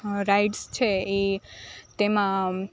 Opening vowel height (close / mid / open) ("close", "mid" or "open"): open